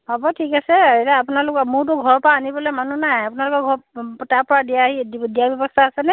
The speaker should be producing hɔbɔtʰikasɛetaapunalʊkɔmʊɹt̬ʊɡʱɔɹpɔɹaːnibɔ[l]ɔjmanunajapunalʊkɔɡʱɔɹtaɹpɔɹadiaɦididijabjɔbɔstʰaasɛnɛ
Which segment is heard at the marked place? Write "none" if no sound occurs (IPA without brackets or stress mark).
l